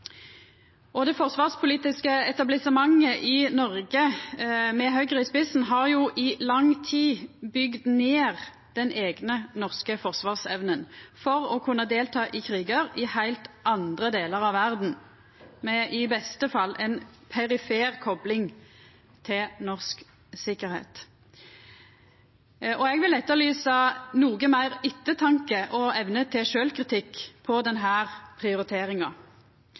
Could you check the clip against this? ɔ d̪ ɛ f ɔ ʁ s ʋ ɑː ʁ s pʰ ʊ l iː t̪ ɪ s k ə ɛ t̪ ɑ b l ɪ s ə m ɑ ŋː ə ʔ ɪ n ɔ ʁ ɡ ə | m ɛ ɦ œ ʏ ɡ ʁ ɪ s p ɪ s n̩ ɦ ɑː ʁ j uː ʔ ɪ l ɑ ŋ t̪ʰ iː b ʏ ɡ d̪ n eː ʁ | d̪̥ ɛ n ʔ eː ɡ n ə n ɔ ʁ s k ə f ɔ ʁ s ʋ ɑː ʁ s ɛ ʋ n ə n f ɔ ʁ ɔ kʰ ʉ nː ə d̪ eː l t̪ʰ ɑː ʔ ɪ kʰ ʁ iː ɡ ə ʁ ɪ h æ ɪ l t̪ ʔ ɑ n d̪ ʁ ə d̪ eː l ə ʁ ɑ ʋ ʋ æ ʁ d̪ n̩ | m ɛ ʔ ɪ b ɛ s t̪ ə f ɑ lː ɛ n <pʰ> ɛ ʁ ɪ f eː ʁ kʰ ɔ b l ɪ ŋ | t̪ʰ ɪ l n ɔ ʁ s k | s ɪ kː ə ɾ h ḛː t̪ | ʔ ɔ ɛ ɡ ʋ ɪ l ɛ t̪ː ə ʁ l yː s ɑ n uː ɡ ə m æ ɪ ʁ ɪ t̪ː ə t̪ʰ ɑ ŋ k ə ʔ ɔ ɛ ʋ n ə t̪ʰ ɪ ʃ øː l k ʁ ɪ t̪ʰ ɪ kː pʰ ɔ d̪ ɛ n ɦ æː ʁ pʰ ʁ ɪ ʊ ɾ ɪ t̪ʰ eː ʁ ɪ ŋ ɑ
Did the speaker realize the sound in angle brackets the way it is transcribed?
yes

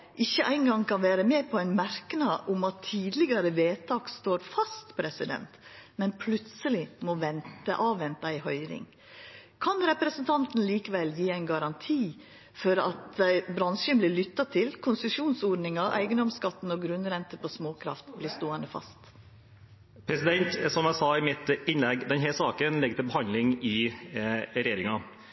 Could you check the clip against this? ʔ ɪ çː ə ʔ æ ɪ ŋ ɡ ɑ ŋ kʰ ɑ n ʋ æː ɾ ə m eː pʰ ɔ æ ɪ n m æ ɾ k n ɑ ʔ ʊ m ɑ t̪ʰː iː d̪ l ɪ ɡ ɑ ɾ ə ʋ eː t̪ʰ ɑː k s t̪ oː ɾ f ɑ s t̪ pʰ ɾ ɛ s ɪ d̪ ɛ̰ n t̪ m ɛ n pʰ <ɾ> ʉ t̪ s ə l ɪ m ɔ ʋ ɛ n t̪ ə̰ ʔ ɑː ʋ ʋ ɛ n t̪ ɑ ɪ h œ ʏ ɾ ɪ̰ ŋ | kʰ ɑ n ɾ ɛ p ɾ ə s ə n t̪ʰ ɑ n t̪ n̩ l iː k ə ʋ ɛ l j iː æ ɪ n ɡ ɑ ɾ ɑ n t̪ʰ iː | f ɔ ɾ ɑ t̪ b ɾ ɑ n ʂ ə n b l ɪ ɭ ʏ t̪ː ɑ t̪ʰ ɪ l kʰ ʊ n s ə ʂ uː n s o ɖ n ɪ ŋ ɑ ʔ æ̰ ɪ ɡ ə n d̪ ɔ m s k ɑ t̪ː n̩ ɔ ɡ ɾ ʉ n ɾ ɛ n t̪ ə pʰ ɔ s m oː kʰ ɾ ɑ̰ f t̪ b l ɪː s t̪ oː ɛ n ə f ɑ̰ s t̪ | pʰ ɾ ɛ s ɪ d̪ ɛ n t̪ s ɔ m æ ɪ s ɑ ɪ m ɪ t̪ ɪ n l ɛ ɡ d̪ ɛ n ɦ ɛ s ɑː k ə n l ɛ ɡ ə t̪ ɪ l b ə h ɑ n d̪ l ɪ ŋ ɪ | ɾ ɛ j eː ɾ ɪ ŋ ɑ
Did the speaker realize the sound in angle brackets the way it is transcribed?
no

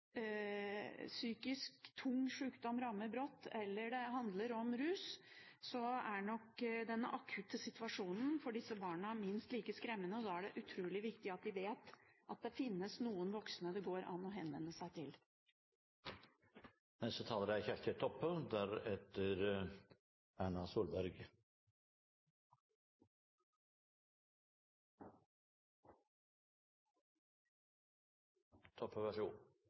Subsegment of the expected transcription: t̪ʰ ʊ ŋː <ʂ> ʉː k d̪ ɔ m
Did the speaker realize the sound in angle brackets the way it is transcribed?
yes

